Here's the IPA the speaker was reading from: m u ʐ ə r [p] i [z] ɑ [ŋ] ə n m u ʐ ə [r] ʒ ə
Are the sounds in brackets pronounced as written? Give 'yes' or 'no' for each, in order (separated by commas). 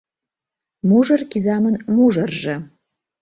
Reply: no, yes, no, yes